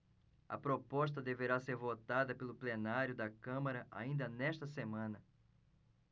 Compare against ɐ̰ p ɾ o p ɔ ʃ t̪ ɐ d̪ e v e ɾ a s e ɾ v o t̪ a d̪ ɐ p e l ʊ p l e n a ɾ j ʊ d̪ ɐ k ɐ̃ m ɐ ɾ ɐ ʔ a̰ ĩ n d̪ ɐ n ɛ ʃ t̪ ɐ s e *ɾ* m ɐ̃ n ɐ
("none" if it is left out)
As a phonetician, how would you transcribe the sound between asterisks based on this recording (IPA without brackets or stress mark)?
none